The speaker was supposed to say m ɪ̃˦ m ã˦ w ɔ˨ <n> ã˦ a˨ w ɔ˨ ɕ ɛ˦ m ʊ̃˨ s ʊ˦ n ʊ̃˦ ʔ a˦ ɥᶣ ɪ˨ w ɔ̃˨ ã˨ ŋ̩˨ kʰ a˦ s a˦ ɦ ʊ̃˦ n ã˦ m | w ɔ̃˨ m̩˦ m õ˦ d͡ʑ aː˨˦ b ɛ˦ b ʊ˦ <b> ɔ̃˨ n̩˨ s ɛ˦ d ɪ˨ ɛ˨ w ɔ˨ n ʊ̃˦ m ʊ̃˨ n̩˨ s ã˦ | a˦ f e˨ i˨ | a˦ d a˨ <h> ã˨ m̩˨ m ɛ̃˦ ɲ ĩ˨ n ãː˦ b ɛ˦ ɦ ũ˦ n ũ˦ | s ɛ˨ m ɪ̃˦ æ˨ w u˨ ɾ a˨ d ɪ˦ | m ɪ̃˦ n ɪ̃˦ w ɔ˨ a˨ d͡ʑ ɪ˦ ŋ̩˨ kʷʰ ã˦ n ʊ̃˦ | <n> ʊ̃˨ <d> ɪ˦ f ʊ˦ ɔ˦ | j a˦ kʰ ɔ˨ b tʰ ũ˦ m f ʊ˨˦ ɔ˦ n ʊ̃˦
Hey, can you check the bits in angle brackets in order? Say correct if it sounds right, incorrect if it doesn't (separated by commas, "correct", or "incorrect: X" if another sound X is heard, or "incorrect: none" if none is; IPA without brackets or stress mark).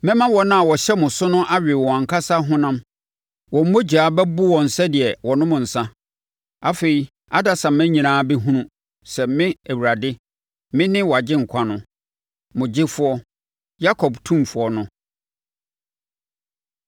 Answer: correct, incorrect: w, incorrect: s, incorrect: m, incorrect: d͡ʑ